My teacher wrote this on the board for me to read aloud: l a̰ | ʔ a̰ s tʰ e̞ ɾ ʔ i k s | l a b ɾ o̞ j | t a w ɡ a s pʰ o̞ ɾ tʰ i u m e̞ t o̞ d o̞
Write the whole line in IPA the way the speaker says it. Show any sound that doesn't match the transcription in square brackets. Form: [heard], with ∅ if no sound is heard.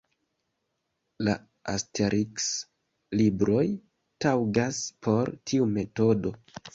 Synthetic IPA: l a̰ | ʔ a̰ s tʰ e̞ ɾ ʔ i k s | l [i] b ɾ o̞ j | t a w ɡ a s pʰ o̞ ɾ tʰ i u m e̞ t o̞ d o̞